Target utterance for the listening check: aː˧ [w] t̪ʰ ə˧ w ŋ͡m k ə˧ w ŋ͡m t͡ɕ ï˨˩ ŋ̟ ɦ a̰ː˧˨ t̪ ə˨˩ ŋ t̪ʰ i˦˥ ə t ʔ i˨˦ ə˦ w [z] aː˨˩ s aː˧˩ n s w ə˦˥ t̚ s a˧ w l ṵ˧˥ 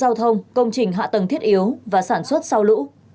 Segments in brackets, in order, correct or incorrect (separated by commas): correct, incorrect